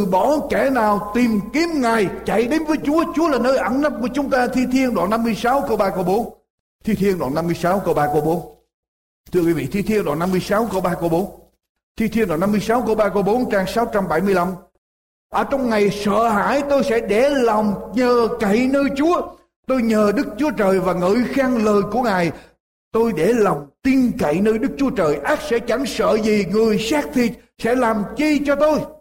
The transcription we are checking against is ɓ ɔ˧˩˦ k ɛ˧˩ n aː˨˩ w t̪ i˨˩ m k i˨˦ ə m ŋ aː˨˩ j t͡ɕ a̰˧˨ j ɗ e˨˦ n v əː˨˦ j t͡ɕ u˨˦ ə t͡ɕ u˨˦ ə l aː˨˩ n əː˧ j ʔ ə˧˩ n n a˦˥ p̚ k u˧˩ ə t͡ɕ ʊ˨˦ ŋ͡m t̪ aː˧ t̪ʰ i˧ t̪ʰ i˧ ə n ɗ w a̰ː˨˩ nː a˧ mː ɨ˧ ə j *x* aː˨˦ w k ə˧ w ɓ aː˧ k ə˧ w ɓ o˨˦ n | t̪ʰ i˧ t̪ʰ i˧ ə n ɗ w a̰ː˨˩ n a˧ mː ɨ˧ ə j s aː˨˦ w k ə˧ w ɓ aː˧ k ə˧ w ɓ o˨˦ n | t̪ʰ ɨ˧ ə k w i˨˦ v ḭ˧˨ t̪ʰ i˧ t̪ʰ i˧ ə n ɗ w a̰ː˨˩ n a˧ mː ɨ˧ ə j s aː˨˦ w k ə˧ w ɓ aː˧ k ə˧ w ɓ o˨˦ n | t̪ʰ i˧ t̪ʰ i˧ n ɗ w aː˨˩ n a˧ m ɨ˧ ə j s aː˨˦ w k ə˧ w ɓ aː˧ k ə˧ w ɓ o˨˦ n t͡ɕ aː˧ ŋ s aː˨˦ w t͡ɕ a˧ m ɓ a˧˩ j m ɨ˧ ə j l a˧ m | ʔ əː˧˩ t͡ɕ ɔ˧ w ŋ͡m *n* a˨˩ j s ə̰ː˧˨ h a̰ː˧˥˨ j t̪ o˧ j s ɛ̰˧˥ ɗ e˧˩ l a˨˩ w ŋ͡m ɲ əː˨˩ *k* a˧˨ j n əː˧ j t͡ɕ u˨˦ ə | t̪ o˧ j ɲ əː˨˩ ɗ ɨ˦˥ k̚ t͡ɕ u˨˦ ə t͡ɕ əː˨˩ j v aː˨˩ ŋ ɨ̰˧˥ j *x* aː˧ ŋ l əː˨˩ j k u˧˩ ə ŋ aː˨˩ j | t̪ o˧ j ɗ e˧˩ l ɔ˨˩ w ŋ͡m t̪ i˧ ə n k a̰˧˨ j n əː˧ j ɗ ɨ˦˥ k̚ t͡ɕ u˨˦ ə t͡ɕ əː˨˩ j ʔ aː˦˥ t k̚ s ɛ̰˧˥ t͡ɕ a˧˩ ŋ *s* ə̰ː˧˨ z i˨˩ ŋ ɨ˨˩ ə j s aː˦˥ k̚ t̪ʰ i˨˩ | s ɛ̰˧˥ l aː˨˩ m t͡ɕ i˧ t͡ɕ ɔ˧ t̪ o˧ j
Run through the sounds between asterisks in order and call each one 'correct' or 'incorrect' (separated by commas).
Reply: incorrect, incorrect, correct, correct, correct